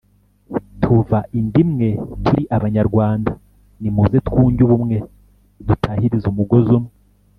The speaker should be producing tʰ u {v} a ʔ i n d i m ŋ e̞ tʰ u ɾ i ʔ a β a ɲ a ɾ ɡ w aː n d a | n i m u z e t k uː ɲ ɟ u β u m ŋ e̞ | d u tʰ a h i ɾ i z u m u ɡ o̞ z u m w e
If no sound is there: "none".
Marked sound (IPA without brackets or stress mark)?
v